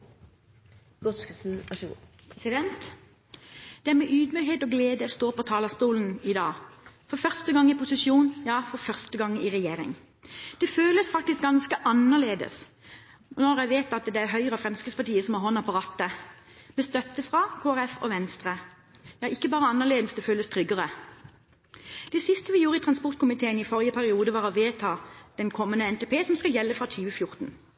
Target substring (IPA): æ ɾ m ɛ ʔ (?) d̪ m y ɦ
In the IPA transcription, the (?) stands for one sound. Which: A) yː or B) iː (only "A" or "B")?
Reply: A